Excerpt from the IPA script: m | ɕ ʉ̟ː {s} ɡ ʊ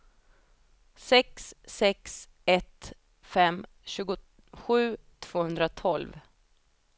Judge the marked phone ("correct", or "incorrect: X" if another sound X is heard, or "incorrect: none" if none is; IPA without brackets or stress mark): incorrect: none